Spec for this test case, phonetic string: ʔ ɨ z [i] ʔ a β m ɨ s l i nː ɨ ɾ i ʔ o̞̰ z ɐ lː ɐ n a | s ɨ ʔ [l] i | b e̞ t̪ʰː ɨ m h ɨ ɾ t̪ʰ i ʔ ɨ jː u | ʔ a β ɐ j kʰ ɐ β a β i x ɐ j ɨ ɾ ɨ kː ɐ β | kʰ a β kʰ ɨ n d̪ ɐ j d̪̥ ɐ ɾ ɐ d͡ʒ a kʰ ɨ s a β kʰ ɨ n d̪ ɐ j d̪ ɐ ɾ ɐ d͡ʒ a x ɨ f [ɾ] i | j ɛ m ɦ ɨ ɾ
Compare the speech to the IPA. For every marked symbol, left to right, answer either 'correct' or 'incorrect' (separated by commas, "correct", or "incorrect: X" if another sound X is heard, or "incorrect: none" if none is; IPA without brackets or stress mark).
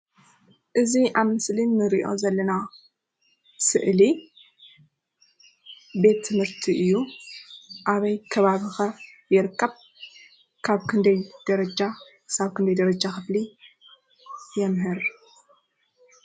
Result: correct, correct, incorrect: l